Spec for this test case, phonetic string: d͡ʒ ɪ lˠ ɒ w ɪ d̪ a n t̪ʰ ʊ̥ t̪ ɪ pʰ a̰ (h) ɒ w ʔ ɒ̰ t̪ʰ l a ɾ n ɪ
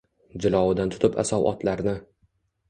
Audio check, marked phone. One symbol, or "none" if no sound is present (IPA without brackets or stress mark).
s